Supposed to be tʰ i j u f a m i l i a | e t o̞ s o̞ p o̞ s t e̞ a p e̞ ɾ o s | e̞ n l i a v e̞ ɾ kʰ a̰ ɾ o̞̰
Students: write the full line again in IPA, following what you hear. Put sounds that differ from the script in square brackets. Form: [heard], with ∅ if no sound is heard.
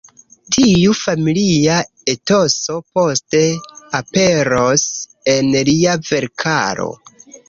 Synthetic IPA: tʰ i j u f a m i l i a | e t o̞ s o̞ p o̞ s t e̞ a p e̞ ɾ o s | e̞ n l i a v e̞ ɾ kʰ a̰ ɾ o̞̰